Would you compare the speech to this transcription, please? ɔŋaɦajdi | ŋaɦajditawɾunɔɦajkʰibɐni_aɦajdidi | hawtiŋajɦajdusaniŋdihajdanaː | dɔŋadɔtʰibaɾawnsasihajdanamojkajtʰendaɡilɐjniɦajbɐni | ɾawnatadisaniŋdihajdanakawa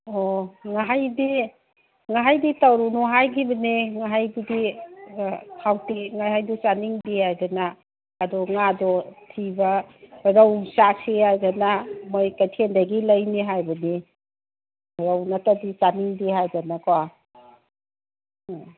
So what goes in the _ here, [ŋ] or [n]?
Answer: ŋ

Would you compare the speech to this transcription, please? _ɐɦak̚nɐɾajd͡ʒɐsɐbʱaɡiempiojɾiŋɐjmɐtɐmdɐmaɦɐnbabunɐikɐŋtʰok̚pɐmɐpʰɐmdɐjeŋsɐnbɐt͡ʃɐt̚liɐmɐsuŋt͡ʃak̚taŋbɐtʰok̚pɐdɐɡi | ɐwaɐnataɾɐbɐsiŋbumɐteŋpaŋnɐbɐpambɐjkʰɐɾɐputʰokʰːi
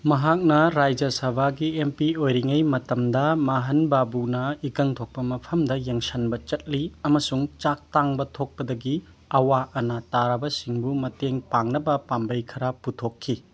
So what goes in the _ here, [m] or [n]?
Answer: m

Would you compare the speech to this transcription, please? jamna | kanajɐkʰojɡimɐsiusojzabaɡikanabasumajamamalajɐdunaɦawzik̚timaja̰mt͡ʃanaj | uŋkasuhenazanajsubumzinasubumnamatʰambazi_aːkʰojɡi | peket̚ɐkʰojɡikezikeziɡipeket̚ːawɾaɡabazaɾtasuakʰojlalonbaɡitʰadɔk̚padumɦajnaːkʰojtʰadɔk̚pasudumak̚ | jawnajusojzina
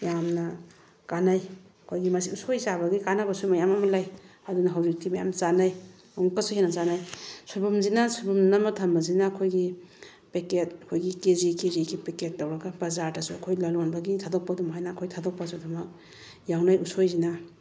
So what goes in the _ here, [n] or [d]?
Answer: n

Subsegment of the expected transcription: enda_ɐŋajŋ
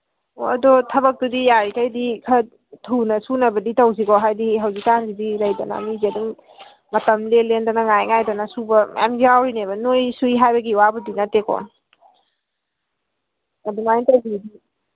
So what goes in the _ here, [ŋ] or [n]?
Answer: n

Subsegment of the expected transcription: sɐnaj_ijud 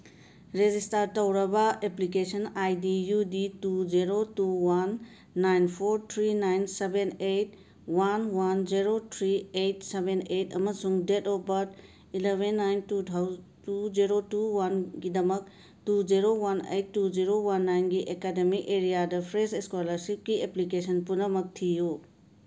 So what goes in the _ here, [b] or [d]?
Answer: d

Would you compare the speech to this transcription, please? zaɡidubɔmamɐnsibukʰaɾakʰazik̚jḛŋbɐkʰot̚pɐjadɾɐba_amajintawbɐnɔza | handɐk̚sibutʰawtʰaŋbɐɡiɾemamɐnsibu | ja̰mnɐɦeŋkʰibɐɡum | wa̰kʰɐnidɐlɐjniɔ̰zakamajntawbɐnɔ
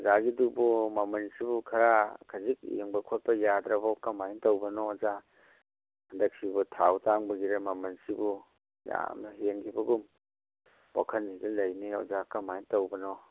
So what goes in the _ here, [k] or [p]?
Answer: k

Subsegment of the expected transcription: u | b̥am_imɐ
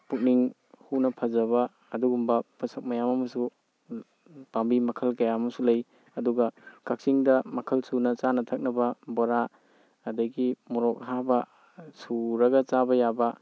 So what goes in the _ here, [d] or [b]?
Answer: b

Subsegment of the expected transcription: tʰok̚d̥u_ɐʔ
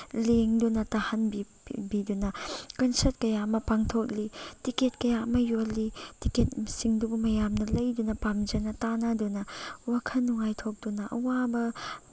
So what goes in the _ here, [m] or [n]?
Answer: n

